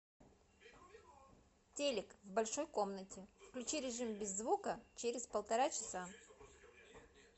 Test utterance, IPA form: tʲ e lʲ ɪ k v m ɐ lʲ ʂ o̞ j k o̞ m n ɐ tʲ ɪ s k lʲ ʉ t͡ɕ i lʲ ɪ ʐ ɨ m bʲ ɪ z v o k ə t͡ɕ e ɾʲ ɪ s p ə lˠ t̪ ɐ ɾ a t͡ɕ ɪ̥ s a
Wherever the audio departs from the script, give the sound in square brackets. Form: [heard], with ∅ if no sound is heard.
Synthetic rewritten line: tʲ e lʲ ɪ k v [b] ɐ lʲ ʂ o̞ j k o̞ m n [ə] tʲ ɪ [f] k lʲ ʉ t͡ɕ i [ɾʲ] ɪ ʐ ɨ m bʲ ɪ [zː] v [u] k ə t͡ɕ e ɾʲ ɪ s p ə lˠ t̪ ɐ ɾ a t͡ɕ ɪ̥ s a